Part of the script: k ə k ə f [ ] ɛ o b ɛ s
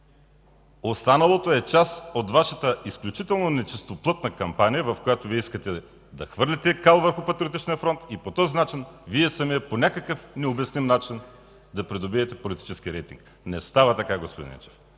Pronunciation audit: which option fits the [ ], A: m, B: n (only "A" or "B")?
B